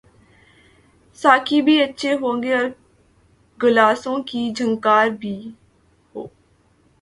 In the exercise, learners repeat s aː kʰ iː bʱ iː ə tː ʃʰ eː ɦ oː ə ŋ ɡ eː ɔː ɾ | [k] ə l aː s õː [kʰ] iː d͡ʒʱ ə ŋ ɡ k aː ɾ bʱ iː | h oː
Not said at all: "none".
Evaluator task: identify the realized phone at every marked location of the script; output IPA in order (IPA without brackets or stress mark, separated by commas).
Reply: ɡ, k